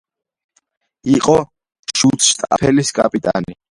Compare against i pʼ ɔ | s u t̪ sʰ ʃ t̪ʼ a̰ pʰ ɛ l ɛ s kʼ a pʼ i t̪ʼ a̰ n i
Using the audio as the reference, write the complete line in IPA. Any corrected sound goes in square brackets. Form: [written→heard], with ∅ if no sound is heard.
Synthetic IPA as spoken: i [pʼ→qʼ] ɔ | [s→ʃ] u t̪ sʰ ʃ t̪ʼ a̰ pʰ ɛ l [ɛ→i] s kʼ a pʼ i t̪ʼ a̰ n i